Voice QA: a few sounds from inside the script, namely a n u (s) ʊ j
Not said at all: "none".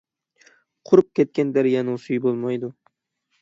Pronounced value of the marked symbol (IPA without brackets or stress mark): s